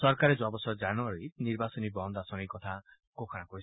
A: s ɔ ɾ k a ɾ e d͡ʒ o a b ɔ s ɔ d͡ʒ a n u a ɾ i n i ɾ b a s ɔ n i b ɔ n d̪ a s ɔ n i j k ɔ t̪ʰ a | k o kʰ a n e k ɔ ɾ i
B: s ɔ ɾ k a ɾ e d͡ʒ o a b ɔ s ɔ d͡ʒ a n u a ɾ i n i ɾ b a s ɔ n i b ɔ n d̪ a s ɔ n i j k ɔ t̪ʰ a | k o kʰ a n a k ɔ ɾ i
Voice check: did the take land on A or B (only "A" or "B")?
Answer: B